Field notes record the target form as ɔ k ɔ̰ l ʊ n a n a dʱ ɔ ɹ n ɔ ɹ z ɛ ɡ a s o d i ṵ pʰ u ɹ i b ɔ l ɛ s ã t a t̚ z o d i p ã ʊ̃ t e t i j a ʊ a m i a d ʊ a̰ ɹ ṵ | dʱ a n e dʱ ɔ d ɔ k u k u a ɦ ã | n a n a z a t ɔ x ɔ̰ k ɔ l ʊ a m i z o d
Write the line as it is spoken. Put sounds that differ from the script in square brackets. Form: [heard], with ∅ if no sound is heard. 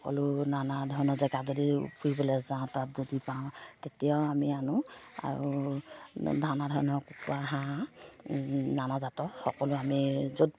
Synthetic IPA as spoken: ɔ k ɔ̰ l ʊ n a n a dʱ ɔ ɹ n ɔ [∅] z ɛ ɡ a [z] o d i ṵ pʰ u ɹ i b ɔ l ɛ [z] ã t a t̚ z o d i p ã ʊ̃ t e t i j a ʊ a m i a [n] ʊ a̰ ɹ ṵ | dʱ a n [a] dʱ ɔ [n] ɔ k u k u a ɦ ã | n a n a z a t ɔ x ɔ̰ k ɔ l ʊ a m i z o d